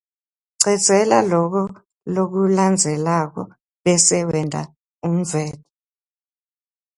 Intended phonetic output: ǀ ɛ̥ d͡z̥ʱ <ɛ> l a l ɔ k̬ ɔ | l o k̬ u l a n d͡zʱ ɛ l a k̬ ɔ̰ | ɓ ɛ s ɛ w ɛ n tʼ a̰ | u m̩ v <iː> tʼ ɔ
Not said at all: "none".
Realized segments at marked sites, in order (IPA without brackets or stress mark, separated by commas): ɛ, ɛː